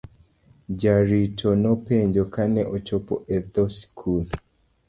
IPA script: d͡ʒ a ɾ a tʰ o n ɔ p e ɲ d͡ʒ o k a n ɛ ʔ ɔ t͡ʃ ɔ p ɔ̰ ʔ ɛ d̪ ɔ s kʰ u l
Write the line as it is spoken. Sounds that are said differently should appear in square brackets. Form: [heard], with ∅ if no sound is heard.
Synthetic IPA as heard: d͡ʒ a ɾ [i] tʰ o n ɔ p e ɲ d͡ʒ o k a n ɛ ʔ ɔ t͡ʃ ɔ p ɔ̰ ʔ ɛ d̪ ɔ s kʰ u l